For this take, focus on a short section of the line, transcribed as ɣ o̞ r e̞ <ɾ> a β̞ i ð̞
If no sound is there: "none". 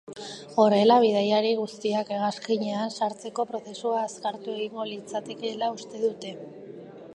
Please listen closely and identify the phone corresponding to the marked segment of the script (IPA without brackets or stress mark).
l